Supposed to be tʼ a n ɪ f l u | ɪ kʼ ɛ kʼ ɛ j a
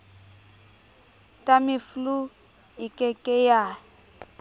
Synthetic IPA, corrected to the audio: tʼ a m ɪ f l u | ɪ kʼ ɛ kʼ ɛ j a